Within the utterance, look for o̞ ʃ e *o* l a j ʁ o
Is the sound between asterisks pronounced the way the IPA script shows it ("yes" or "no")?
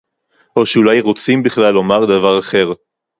no